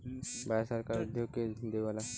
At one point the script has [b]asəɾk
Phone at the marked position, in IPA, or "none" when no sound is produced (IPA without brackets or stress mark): b